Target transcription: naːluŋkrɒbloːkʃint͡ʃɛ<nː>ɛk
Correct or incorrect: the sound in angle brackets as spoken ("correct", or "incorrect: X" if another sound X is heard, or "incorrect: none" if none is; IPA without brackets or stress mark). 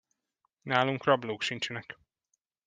incorrect: n